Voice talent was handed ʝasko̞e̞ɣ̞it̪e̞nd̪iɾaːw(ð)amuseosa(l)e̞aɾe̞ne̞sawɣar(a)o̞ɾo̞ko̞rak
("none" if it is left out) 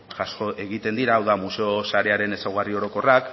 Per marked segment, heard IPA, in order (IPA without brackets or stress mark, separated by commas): ð, ɾ, i